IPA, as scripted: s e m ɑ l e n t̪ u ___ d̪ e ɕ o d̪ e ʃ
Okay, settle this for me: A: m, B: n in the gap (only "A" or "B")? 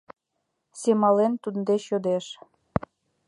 B